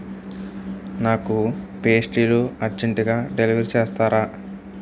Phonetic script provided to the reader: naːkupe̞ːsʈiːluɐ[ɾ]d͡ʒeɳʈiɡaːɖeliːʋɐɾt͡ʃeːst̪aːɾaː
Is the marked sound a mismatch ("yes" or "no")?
no